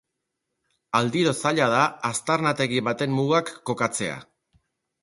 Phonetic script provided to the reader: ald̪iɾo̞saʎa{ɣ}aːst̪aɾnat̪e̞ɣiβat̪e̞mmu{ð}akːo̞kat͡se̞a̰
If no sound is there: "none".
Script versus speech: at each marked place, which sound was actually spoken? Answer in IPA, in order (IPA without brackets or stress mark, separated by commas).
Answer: ð, ɣ